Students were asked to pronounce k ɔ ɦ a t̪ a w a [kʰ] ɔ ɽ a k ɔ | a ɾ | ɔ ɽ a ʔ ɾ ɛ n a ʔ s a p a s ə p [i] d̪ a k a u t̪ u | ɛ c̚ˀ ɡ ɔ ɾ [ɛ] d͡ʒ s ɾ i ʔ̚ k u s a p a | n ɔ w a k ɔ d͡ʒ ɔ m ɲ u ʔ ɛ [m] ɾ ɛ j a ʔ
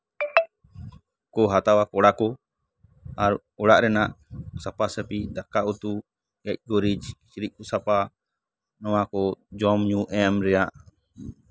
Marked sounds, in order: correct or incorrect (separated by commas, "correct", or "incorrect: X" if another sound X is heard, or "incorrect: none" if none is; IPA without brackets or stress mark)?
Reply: incorrect: k, correct, incorrect: i, correct